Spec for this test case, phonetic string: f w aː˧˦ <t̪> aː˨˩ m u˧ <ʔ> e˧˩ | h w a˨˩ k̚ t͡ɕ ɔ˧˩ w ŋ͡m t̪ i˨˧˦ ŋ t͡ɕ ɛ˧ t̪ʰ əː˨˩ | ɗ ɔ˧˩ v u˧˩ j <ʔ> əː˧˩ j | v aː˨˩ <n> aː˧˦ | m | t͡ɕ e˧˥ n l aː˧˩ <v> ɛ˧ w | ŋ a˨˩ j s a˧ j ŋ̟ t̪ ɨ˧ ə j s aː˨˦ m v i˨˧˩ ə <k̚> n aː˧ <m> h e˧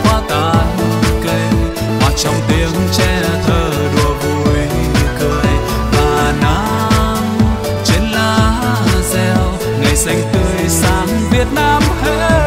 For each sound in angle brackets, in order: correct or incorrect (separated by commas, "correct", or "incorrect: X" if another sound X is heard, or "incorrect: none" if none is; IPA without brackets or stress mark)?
correct, incorrect: k, incorrect: k, correct, incorrect: z, incorrect: t̚, correct